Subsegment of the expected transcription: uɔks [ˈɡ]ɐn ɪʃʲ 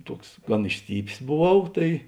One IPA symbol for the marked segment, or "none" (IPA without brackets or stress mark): ɡ